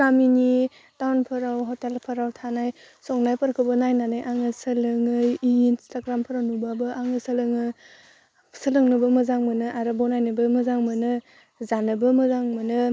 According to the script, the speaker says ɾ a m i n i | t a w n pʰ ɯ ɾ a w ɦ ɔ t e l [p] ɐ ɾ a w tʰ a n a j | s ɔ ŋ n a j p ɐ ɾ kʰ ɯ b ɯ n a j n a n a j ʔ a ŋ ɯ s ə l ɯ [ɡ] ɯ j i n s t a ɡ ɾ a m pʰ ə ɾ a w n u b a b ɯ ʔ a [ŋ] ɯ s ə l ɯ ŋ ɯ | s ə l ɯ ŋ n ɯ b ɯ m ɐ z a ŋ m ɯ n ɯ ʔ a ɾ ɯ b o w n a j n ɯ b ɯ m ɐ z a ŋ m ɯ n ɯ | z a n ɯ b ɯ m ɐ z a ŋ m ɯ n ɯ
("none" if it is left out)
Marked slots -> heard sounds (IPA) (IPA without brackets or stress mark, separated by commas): pʰ, ŋ, ŋ